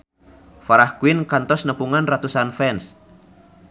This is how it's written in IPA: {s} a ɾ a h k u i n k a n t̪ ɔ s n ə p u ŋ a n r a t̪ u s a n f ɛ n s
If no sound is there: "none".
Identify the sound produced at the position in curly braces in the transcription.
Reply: f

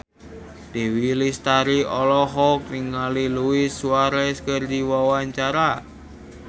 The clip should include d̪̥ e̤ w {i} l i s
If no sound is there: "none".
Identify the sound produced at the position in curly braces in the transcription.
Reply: i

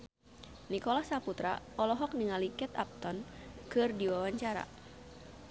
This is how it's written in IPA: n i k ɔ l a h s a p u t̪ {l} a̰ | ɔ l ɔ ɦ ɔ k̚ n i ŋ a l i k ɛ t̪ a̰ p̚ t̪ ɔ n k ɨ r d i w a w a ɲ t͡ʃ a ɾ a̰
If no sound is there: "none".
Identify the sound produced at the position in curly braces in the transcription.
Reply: ɾ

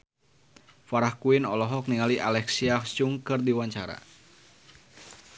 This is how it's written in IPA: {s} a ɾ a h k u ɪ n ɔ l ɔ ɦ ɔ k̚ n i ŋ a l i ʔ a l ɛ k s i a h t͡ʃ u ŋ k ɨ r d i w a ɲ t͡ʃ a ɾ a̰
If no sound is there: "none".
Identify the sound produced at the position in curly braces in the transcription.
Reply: f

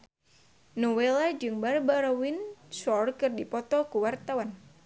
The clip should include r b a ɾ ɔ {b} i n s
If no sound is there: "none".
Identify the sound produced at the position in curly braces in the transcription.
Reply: w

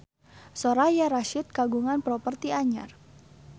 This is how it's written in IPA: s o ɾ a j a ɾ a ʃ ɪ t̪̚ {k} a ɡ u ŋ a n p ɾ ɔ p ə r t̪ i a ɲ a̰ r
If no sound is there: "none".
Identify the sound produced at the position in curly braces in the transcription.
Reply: k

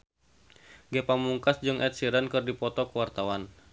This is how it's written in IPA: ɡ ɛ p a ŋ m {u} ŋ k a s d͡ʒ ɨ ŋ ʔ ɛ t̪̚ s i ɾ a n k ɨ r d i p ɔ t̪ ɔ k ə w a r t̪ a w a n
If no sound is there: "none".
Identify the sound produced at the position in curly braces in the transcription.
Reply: u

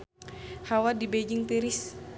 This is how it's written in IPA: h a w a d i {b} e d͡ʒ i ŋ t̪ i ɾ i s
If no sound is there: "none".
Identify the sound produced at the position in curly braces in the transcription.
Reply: b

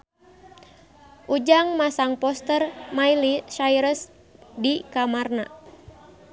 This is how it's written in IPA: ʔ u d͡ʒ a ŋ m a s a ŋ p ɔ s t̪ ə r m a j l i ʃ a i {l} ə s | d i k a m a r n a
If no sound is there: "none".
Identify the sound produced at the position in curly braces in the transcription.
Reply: ɾ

